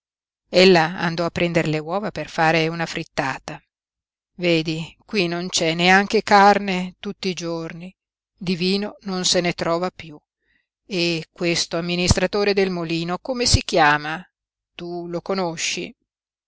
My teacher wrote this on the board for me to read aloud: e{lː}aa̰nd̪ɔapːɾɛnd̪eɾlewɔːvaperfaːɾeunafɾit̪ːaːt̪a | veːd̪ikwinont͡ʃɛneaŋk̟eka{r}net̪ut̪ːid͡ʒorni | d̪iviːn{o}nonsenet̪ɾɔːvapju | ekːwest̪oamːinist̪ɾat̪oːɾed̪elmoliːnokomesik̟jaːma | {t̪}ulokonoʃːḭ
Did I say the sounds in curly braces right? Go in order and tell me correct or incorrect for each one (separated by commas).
correct, correct, correct, correct